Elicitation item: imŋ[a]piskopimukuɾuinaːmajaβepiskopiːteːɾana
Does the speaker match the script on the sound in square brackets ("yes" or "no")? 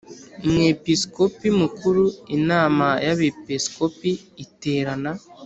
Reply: no